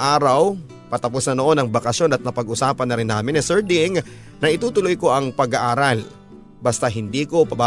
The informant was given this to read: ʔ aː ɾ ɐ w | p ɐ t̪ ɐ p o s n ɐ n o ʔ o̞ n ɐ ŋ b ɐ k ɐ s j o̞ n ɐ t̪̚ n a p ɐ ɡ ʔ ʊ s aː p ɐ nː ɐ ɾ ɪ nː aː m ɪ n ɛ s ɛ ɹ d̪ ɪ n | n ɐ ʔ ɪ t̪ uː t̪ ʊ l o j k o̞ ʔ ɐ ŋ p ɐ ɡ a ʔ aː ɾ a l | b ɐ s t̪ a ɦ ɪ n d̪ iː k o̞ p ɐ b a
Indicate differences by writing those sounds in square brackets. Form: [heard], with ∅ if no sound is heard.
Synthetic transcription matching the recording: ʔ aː ɾ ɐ w | p ɐ t̪ ɐ p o s n ɐ n o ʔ o̞ n ɐ ŋ b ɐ k ɐ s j o̞ n ɐ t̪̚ n [ɐ] p ɐ ɡ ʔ ʊ s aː p ɐ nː ɐ ɾ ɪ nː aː m ɪ n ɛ s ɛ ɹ d̪ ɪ [ŋ] | n ɐ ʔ ɪ t̪ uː t̪ ʊ l o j k o̞ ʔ ɐ ŋ p ɐ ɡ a ʔ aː ɾ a l | b ɐ s t̪ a ɦ ɪ n d̪ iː k o̞ p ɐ b a